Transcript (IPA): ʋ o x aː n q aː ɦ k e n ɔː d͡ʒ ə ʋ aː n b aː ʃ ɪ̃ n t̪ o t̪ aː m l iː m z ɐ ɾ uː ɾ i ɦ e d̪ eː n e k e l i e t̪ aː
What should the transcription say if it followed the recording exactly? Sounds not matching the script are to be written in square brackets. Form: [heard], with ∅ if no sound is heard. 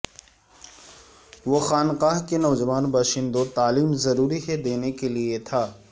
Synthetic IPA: ʋ o x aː n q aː ɦ k e n ɔː d͡ʒ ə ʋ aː n b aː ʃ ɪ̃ n [d̪] o t̪ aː [∅] l iː m z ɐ ɾ uː ɾ i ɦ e d̪ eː n e k e l i e [t̪ʰ] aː